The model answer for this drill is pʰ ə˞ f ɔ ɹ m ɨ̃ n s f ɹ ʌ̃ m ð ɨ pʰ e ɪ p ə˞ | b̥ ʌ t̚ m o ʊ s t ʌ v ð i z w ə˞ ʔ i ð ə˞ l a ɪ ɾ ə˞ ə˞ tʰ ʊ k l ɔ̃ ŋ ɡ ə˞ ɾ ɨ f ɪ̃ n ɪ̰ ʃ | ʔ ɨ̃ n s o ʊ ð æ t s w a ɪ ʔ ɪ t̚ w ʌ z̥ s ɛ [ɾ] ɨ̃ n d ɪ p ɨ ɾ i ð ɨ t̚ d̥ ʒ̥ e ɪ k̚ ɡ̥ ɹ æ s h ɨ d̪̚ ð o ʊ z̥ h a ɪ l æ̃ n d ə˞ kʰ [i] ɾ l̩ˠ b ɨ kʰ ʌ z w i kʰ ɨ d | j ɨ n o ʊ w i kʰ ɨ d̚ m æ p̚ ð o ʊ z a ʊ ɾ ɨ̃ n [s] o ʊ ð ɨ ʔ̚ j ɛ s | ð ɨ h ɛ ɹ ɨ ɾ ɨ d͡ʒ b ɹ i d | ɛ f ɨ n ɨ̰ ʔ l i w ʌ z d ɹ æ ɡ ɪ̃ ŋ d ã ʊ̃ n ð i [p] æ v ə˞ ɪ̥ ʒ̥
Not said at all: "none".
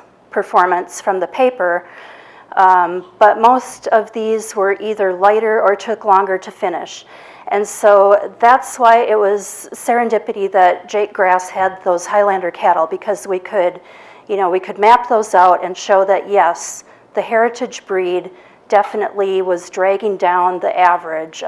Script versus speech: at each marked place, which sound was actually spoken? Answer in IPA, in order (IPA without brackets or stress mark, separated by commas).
ɹ, æ, ʃ, ʔ